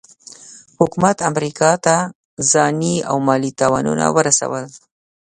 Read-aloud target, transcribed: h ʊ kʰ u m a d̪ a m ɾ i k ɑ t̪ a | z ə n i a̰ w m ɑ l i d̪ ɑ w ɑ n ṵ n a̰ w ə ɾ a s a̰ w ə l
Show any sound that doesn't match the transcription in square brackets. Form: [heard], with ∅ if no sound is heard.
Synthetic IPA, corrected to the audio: h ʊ [k] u m a [t̪] a m ɾ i k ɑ t̪ a | z [ɑ] n i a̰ w m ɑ l i [t̪] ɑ w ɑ n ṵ n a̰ w ə ɾ a s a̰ w ə l